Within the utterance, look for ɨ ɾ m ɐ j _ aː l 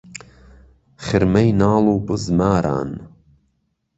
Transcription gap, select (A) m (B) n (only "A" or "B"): B